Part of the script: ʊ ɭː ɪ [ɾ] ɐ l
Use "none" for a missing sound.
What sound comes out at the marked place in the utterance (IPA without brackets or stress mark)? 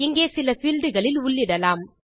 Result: ɽ